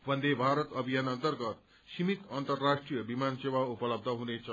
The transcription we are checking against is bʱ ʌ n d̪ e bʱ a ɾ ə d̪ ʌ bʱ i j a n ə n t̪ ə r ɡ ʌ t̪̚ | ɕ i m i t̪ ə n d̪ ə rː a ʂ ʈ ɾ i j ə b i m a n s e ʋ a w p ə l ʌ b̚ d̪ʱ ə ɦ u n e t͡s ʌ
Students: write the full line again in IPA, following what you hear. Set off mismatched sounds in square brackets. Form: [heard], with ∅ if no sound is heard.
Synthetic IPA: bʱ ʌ n d̪ e bʱ a ɾ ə [t̪] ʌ bʱ i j a n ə n t̪ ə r ɡ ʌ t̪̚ | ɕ i m i t̪ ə n [t̪] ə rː a ʂ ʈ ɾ i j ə b i m a n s e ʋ a [u] p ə l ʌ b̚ d̪ʱ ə ɦ u n e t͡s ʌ